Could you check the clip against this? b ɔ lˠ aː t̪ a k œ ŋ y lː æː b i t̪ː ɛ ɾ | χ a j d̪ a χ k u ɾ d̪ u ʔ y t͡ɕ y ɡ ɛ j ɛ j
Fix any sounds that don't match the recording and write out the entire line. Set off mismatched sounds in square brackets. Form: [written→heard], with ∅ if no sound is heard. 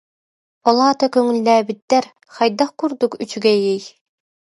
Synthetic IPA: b ɔ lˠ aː t̪ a k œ ŋ y lː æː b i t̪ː ɛ ɾ | χ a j d̪ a χ k u ɾ d̪ u [ʔ→k] y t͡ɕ y ɡ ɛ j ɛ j